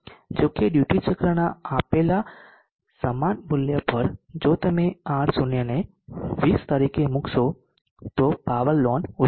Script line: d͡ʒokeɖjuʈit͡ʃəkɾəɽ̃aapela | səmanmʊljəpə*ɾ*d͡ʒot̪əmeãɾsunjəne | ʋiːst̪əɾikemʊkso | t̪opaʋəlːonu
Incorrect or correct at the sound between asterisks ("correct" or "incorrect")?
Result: correct